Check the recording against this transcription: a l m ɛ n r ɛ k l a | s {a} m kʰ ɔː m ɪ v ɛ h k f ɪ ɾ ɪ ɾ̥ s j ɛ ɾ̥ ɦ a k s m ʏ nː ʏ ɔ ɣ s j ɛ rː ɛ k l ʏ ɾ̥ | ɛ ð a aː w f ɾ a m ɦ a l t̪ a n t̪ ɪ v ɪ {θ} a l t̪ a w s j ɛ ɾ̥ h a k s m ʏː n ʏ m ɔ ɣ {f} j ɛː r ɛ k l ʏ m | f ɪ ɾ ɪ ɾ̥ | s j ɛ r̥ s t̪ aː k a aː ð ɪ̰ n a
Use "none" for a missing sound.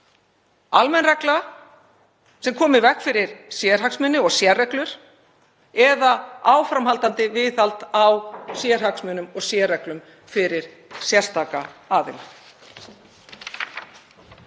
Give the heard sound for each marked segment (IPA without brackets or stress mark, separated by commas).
ɛ, θ, s